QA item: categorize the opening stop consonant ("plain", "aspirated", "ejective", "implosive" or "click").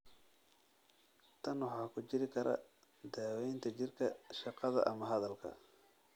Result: aspirated